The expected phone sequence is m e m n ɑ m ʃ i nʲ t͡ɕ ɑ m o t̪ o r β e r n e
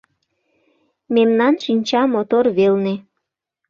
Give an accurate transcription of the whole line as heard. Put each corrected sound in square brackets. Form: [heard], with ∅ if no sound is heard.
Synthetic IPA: m e m n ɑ [n] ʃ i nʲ t͡ɕ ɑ m o t̪ o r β e [l] n e